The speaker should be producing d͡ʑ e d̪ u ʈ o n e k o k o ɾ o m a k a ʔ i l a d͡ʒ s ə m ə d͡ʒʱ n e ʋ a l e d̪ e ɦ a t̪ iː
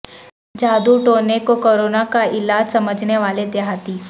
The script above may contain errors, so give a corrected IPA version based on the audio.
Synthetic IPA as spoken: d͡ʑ a d̪ u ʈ o n e k o k o ɾ o n a k a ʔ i l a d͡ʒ s ə m ə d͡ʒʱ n e ʋ a l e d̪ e ɦ a t̪ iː